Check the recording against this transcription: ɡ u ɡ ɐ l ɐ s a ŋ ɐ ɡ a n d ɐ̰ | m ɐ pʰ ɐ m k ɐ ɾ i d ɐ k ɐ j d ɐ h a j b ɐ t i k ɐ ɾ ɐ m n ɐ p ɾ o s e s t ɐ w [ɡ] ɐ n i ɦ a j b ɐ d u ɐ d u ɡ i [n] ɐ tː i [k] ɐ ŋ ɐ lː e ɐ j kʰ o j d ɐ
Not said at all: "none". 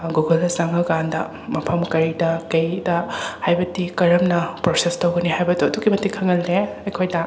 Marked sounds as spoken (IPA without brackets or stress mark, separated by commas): ɡ, m, kʰ